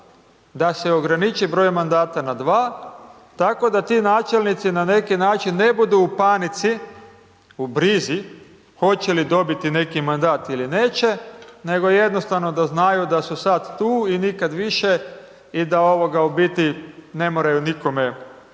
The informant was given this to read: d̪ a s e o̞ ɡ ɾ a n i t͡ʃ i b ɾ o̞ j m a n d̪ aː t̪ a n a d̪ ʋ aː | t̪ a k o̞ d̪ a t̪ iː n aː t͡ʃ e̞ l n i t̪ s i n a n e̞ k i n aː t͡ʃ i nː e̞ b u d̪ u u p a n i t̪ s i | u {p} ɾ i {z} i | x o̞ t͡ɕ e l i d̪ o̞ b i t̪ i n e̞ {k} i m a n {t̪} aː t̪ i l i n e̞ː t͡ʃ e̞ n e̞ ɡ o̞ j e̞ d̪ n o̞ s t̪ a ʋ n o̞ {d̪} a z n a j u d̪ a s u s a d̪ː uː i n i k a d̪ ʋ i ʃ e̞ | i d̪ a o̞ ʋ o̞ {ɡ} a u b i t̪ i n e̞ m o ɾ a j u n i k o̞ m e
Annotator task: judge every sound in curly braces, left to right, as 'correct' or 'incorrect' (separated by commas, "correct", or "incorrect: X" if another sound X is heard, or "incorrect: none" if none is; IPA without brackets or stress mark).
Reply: incorrect: b, correct, correct, incorrect: d̪, correct, correct